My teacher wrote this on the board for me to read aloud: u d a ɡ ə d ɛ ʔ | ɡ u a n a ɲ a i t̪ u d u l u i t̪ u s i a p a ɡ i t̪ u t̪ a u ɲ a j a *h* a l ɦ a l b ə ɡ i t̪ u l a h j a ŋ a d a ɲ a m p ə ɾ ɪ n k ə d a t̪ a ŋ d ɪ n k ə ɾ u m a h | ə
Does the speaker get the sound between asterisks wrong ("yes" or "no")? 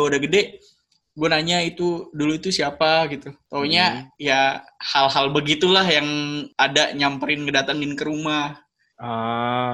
no